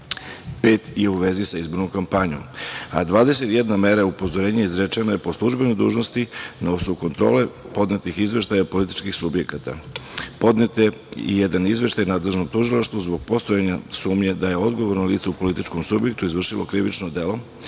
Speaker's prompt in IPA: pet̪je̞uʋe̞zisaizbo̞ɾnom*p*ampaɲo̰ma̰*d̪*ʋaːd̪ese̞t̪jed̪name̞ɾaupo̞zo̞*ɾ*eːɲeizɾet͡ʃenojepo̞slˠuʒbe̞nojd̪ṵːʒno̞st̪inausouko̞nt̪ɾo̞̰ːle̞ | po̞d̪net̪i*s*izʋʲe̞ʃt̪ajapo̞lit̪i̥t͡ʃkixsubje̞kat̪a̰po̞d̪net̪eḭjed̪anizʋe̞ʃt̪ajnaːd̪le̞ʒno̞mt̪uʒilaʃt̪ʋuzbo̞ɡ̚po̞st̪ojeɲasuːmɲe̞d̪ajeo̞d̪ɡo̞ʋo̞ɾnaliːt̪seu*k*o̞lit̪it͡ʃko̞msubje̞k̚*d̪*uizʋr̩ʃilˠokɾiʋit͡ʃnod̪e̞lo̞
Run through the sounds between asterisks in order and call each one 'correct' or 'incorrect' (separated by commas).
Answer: incorrect, correct, correct, incorrect, incorrect, incorrect